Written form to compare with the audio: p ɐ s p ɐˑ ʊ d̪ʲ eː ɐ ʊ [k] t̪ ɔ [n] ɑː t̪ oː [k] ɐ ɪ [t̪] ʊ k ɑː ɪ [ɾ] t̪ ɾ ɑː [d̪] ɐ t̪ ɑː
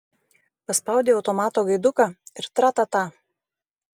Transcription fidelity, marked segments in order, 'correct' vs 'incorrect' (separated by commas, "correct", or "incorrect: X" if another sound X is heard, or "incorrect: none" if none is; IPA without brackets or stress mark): incorrect: none, incorrect: m, incorrect: ɡ, incorrect: d̪, correct, incorrect: t̪